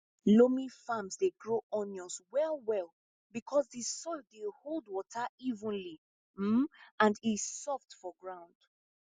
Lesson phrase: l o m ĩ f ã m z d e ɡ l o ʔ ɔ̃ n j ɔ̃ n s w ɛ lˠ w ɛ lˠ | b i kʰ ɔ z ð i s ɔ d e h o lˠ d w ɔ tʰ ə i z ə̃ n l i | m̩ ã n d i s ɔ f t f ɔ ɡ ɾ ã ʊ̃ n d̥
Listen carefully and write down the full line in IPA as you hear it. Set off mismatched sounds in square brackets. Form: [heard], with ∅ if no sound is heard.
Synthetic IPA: l o m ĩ f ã m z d e ɡ [ɹ] o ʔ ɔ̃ n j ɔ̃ n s w ɛ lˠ w ɛ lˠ | b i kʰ ɔ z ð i s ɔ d e h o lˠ d w ɔ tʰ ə i [v] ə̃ n l i | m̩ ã n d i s ɔ f t f ɔ ɡ [ɹ] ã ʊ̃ n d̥